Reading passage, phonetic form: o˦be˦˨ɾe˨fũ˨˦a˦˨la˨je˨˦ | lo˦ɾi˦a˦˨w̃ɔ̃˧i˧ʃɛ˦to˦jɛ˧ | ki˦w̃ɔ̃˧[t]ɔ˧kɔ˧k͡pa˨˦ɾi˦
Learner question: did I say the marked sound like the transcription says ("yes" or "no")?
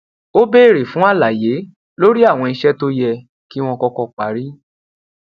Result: no